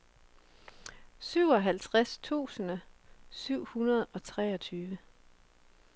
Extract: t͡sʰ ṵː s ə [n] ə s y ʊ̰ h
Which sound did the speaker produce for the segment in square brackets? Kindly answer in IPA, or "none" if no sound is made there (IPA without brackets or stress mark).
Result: n